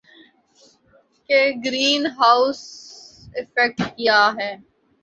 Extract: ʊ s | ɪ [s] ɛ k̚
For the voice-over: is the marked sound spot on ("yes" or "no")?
no